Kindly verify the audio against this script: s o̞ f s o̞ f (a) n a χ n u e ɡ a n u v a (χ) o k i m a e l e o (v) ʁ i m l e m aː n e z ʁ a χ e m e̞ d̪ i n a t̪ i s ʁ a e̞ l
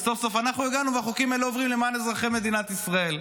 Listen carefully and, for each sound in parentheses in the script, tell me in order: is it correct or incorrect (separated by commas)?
correct, correct, correct